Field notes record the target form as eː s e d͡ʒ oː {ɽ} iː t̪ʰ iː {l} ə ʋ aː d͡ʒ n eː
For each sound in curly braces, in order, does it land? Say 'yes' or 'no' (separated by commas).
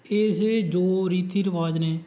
no, no